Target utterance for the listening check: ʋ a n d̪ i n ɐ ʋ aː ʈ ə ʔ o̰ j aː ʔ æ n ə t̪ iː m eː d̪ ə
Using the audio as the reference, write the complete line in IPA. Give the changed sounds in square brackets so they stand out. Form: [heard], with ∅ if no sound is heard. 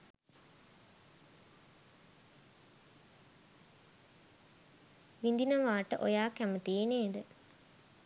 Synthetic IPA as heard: ʋ [i] n d̪ i n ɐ ʋ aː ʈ ə ʔ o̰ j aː [k] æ [m] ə t̪ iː [n] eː d̪ ə